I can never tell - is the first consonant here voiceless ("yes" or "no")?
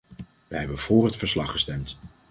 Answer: no